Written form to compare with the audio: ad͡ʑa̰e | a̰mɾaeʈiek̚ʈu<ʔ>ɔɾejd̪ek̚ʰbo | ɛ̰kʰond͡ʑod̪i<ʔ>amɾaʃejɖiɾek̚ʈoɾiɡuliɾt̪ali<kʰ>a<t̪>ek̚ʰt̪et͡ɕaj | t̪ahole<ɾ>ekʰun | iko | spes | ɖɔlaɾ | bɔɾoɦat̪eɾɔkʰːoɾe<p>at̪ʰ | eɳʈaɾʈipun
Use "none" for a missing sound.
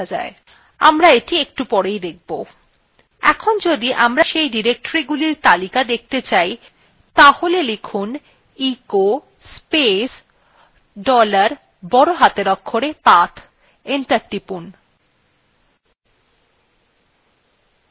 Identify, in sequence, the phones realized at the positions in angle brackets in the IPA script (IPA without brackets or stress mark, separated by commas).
p, ʔ, k, d̪, l, p